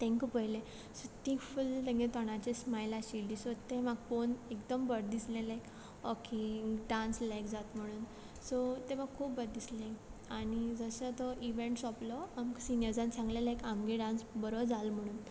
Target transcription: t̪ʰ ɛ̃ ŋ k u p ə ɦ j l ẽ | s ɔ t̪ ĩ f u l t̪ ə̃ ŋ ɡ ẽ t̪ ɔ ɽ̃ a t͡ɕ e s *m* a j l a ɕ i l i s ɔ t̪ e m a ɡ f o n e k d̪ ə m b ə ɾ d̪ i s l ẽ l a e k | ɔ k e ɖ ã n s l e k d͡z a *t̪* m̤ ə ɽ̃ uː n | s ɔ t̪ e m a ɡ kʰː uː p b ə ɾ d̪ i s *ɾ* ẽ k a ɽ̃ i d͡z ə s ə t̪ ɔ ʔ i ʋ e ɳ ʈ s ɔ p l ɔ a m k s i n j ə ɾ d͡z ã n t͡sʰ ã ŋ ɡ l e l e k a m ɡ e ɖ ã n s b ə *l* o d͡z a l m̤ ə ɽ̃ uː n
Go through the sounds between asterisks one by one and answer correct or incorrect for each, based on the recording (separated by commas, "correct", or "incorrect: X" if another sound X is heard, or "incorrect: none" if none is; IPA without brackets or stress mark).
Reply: correct, correct, incorrect: l, incorrect: ɾ